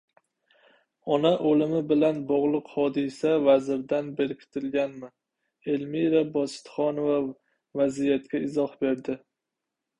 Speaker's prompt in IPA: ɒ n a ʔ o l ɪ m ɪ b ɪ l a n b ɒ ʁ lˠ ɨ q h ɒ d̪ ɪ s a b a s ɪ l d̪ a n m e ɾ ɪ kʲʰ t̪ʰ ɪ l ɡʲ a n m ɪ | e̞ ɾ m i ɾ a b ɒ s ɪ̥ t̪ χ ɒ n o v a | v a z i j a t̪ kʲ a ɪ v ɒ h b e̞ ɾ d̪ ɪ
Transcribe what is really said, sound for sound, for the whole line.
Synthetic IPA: ɒ n a ʔ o l ɪ m ɪ b ɪ l a n b ɒ ʁ lˠ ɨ q h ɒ d̪ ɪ s a v a z ɪ ɾ d̪ a n b e ɾ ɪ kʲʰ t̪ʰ ɪ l ɡʲ a n m ɪ | e̞ l m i ɾ a b ɒ s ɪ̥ t̪ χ ɒ n o v a | v a z i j a t̪ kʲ a ɪ z ɒ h b e̞ ɾ d̪ ɪ